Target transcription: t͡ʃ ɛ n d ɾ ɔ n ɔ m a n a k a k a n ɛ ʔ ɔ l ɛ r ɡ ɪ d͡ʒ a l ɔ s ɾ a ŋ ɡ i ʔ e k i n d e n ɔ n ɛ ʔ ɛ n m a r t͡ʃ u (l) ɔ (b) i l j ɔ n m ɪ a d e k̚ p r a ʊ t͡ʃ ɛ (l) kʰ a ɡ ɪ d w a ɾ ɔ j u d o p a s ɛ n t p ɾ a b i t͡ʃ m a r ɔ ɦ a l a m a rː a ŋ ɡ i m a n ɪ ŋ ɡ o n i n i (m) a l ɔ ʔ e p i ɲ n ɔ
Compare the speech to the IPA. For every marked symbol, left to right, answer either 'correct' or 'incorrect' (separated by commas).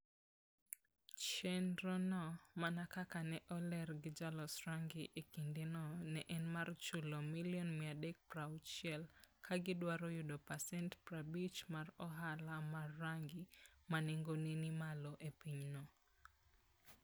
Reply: correct, incorrect, correct, correct